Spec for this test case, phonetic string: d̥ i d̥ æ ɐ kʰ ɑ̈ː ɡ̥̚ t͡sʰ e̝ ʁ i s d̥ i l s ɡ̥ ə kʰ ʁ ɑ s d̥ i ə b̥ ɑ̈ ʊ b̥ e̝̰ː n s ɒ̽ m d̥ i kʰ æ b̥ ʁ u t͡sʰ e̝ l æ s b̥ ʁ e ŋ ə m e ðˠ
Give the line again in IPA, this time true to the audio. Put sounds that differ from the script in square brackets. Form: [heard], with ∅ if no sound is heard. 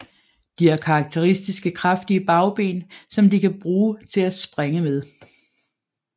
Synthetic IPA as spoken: d̥ i [∅] æ ɐ kʰ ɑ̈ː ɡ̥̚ t͡sʰ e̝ ʁ i s d̥ i [∅] s ɡ̥ ə kʰ ʁ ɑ [f] d̥ i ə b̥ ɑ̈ ʊ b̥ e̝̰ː n s ɒ̽ m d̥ i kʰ æ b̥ ʁ [uː] t͡sʰ e̝ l æ s b̥ ʁ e ŋ ə m e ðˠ